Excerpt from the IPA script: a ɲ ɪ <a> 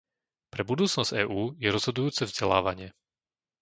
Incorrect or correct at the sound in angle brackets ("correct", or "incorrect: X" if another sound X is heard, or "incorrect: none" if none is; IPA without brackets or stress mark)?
incorrect: ɛ